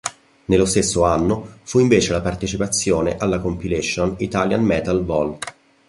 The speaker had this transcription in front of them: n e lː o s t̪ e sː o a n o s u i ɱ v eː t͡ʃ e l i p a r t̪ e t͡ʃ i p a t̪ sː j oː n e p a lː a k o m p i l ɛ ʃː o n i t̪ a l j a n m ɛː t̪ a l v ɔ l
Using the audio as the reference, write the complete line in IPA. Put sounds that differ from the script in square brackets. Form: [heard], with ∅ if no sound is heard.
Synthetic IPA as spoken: n e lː o s t̪ e sː o a [nː] o [f] u i ɱ v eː t͡ʃ e l [a] p a r t̪ e t͡ʃ i p a t̪ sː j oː n e [ʔ] a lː a k o m p i l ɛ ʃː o n i t̪ a l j a n m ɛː t̪ a l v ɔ l